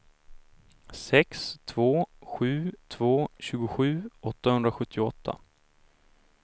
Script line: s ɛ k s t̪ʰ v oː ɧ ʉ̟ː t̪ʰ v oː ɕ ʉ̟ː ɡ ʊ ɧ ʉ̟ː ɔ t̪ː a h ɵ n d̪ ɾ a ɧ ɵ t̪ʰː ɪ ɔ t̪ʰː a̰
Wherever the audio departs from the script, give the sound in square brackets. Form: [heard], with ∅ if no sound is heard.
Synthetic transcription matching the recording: s ɛ k s t̪ʰ v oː ɧ ʉ̟ː t̪ʰ v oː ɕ ʉ̟ː ɡ ʊ ɧ ʉ̟ː ɔ t̪ː a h ɵ n d̪ ɾ a ɧ ɵ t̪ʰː ɪ ɔ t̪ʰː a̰